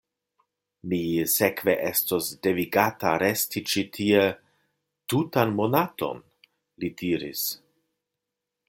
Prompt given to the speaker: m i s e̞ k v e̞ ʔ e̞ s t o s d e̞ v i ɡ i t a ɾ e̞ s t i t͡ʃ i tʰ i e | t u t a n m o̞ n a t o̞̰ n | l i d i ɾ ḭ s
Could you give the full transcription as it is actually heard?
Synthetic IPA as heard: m i s e̞ k v e̞ ʔ e̞ s t o s d e̞ v i ɡ a t a ɾ e̞ s t i t͡ʃ i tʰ i e | t u t a n m o̞ n a t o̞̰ n | l i d i ɾ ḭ s